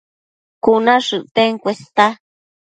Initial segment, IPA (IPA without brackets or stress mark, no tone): k